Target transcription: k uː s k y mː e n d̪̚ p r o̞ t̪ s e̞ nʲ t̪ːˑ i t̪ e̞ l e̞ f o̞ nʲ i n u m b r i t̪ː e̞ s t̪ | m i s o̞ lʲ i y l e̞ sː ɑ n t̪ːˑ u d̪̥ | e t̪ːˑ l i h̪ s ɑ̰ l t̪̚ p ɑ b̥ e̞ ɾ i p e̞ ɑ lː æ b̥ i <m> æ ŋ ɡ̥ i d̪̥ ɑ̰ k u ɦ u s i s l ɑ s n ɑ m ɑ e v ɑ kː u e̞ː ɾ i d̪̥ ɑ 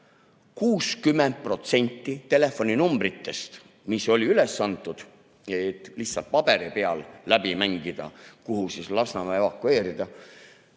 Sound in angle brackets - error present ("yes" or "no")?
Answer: no